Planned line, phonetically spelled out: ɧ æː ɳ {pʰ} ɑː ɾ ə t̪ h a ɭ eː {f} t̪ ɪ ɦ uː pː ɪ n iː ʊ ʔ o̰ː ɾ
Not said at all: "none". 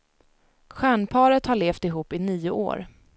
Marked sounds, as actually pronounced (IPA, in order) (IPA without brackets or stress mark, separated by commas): pʰ, f